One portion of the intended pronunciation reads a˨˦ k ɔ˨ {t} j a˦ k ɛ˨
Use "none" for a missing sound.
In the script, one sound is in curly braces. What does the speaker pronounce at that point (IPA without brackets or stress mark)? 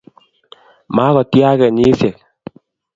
t